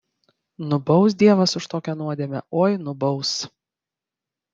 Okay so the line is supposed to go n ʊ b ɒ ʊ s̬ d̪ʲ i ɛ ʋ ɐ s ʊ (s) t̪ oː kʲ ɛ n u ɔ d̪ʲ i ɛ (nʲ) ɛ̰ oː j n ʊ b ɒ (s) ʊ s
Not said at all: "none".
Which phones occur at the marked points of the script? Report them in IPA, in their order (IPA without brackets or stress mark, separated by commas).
ʃ, mʲ, none